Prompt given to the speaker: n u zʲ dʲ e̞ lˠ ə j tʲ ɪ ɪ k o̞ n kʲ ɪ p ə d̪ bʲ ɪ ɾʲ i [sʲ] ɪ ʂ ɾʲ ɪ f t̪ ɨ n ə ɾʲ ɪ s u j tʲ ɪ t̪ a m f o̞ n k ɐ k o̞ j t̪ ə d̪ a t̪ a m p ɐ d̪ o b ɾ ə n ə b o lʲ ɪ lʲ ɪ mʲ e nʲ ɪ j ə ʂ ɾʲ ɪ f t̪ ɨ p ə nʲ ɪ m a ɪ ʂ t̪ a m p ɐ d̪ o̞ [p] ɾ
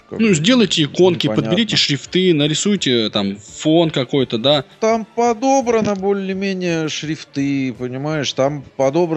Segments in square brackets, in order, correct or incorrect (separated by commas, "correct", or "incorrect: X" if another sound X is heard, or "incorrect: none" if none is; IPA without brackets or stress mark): incorrect: tʲ, incorrect: b